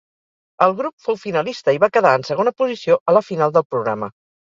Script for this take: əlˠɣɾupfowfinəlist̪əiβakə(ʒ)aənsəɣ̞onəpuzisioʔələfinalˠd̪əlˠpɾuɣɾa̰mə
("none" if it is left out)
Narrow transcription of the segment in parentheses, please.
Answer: ð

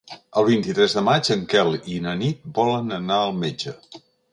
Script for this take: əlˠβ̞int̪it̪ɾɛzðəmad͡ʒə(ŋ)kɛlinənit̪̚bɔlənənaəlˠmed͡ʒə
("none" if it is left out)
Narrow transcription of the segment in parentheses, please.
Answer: ŋ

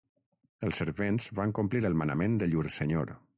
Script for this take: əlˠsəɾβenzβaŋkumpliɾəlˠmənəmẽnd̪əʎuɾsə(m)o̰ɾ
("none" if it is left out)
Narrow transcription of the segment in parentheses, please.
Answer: ɲ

